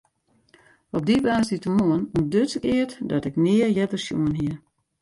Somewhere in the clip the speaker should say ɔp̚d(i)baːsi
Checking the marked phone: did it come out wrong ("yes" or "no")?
no